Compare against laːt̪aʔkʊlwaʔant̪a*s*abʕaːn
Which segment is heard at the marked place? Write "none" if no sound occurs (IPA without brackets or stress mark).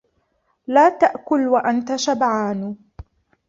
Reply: ʃ